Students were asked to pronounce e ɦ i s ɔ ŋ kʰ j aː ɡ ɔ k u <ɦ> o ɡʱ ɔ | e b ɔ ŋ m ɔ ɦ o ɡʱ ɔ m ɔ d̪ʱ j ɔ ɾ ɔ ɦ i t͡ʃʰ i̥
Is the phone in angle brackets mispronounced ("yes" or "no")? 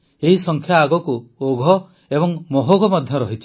yes